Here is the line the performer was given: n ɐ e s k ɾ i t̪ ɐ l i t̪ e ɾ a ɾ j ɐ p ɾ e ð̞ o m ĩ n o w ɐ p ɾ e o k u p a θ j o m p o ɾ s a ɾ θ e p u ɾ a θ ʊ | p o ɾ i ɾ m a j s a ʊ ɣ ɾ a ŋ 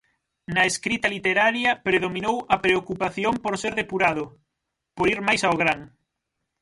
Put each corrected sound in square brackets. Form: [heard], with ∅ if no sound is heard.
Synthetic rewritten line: n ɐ e s k ɾ i t̪ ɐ l i t̪ e ɾ a ɾ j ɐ p ɾ e ð̞ o m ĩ n o w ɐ p ɾ e o k u p a θ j o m p o ɾ s [e] ɾ [ð] e p u ɾ a [ð] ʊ | p o ɾ i ɾ m a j s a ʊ ɣ ɾ a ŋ

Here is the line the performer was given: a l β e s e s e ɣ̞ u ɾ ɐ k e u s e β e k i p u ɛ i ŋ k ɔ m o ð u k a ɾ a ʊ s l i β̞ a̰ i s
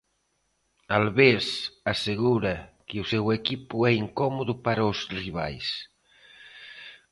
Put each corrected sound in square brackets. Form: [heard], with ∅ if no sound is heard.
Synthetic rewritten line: a l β e s [a] s e ɣ̞ u ɾ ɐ k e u s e [w] e k i p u ɛ i ŋ k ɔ m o ð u [p] a ɾ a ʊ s [r] i β̞ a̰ [j] s

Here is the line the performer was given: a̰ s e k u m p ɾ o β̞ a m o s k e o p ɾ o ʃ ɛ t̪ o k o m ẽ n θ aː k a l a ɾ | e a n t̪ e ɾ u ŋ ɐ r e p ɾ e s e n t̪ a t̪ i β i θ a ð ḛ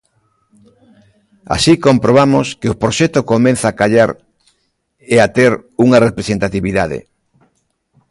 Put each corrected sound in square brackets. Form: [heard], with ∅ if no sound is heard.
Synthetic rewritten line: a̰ s [i] k [o] m p ɾ o β̞ a m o s k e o p ɾ o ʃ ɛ t̪ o k o m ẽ n θ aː k a [ʎ] a ɾ | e a [∅] t̪ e ɾ u ŋ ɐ r e p ɾ e s e n t̪ a t̪ i β i [ð] a ð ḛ

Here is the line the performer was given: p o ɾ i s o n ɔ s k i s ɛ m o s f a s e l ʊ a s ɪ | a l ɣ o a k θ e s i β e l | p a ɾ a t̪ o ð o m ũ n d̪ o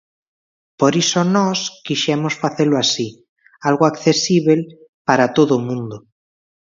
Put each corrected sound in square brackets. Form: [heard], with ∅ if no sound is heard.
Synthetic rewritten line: p o ɾ i s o n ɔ s k i [ʃ] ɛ m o s f a [θ] e l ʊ a s [i] | a l ɣ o a k θ e s i β e l | p a ɾ a t̪ o ð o m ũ n d̪ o

